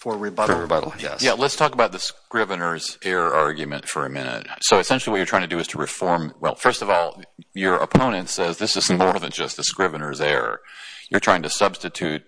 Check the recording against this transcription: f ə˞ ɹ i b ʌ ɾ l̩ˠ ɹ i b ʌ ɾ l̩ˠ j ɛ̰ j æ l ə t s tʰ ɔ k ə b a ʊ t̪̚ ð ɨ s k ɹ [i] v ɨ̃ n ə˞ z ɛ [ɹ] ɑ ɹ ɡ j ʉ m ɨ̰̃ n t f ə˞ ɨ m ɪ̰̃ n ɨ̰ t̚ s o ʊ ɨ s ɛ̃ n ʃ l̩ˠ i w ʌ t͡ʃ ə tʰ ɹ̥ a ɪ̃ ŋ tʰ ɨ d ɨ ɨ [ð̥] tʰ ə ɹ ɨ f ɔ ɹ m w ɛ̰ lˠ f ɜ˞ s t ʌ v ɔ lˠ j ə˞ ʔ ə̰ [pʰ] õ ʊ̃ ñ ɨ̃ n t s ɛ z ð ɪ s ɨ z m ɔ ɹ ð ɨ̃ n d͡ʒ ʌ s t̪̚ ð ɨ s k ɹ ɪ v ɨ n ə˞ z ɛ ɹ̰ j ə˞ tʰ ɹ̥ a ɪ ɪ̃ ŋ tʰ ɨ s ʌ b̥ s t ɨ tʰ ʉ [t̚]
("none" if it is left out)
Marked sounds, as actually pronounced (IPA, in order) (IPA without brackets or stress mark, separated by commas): ɪ, ɹ, z̥, pʰ, t̚